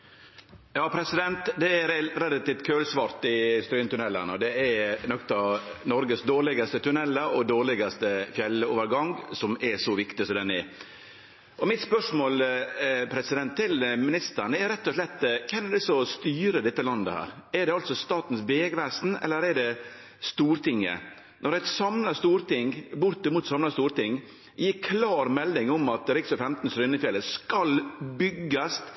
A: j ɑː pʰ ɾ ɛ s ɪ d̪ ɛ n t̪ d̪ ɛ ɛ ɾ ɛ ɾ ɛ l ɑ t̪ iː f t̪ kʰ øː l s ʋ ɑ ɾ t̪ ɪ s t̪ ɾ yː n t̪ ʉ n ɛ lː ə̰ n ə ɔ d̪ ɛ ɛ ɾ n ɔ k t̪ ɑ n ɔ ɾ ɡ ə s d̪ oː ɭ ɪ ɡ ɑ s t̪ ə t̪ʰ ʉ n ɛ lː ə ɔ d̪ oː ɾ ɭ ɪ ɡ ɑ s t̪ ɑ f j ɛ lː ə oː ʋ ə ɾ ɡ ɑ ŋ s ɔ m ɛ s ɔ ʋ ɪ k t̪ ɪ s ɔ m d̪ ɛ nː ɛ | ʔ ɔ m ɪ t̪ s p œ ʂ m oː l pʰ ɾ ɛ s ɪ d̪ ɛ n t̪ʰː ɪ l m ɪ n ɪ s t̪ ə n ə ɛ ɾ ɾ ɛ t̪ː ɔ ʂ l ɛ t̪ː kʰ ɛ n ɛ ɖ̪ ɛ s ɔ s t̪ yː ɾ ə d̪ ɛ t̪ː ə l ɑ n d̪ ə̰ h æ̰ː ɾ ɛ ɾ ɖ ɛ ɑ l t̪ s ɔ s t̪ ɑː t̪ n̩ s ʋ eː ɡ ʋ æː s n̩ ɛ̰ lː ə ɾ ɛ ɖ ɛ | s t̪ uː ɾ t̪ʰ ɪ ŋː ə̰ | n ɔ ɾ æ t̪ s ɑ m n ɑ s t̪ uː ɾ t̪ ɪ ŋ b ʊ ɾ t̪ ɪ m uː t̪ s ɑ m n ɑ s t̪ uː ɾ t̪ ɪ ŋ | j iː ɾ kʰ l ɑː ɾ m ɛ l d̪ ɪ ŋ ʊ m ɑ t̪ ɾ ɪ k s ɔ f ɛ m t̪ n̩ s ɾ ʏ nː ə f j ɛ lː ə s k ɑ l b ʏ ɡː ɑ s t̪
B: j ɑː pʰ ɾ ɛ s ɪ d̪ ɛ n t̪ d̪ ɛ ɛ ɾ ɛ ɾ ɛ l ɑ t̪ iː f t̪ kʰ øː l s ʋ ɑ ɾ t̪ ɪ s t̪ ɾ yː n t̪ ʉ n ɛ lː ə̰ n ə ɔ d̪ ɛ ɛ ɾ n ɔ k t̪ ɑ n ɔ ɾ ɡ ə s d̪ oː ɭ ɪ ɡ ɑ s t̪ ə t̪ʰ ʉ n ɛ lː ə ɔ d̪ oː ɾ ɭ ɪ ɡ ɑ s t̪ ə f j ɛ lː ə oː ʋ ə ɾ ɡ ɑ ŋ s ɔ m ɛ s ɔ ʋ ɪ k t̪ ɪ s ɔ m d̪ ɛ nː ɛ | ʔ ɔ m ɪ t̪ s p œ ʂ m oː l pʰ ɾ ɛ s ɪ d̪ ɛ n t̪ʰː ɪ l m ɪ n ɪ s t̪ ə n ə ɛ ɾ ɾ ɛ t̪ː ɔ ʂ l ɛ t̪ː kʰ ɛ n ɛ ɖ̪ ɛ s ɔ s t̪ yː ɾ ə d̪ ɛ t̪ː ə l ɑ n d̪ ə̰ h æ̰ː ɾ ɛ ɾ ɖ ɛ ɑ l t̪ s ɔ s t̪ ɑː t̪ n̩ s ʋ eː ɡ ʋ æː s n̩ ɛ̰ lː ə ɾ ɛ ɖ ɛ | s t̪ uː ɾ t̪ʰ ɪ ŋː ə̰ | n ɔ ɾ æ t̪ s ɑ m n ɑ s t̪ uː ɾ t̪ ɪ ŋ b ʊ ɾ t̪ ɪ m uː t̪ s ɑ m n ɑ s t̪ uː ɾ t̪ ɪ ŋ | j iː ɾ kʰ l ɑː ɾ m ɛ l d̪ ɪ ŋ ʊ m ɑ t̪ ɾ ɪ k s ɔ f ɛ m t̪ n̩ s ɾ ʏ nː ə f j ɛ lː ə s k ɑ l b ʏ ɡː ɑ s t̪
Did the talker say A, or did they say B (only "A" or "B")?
B